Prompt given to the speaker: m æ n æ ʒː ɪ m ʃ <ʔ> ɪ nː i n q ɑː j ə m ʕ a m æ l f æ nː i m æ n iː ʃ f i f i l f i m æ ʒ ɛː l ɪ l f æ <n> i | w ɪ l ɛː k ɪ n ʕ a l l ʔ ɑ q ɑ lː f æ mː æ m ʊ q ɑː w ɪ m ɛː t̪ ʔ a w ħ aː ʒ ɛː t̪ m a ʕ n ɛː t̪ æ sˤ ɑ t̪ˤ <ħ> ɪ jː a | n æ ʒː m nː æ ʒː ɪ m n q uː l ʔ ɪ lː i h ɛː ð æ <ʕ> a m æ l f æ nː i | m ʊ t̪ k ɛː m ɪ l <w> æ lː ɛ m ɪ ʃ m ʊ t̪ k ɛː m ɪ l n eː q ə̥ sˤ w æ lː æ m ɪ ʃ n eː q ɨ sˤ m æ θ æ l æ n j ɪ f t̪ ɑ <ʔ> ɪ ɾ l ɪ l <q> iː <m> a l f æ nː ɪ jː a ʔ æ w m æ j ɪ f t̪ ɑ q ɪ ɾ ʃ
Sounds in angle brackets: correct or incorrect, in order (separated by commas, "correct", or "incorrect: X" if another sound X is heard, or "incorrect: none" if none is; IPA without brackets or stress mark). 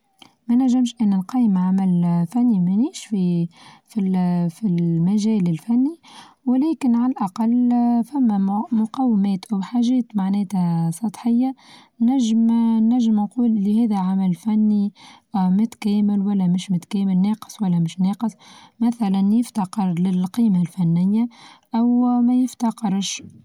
correct, incorrect: nː, correct, correct, correct, incorrect: q, correct, correct